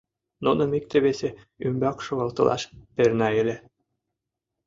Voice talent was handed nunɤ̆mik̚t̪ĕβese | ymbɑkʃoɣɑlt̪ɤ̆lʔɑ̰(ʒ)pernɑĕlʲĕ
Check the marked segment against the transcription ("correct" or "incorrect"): incorrect